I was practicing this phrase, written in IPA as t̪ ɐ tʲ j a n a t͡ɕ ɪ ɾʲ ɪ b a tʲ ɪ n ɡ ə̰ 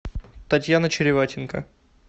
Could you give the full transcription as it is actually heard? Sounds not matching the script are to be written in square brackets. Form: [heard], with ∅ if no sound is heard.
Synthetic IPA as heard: t̪ ɐ tʲ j a n [ə] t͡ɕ ɪ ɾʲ ɪ [v] a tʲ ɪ n [k] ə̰